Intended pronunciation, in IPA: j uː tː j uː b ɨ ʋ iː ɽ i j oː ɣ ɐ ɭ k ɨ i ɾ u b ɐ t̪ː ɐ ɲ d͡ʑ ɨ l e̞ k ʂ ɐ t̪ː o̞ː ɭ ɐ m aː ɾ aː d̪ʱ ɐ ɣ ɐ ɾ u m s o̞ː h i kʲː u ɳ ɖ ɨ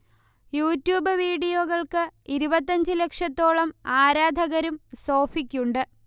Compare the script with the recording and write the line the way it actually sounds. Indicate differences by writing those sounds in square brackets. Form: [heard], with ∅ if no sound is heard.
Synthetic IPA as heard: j uː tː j uː b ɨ ʋ iː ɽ i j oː ɣ ɐ ɭ k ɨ i ɾ u b ɐ t̪ː ɐ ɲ d͡ʑ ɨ l e̞ k ʂ ɐ t̪ː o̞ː ɭ ɐ m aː ɾ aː d̪ʱ ɐ ɣ ɐ ɾ u m s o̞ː [f] i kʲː u ɳ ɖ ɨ